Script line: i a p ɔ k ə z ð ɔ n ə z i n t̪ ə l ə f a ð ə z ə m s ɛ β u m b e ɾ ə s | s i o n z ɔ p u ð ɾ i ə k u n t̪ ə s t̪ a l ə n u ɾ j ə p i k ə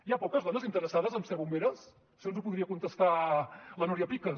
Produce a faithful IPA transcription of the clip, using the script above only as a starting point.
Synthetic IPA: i a p ɔ k ə z ð ɔ n ə z i n t̪ ə ɾ ə s a ð ə z ə m s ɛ β u m b e ɾ ə s | s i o n z u p u ð ɾ i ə k u n t̪ ə s t̪ a l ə n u ɾ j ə p i k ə